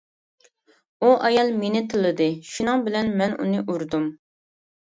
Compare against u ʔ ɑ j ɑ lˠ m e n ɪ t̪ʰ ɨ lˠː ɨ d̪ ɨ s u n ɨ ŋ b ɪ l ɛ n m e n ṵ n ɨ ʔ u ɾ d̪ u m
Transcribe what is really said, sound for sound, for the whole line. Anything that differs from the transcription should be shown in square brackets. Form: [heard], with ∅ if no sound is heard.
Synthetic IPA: u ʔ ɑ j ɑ lˠ m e n ɪ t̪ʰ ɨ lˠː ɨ d̪ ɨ [ʃ] u n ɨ ŋ b ɪ l ɛ n m [ɛ] n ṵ n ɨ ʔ u ɾ d̪ u m